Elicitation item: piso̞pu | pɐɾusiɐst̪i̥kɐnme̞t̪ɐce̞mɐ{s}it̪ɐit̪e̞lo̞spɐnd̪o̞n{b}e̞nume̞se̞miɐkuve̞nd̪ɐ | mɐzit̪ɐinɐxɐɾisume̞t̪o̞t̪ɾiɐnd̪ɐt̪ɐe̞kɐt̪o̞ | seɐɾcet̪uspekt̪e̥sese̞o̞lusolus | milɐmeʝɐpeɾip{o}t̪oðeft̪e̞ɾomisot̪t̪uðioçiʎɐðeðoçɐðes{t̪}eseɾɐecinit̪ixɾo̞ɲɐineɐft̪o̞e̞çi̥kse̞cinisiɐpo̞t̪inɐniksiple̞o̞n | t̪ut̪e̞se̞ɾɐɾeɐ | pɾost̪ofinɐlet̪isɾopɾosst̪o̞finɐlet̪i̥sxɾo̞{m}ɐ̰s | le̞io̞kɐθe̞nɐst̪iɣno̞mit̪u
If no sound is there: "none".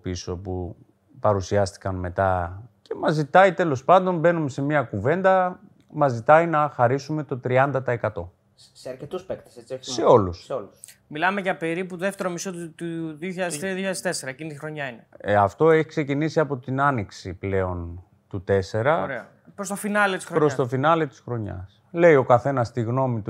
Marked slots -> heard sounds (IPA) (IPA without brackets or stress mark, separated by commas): z, b, u, t̪, ɲ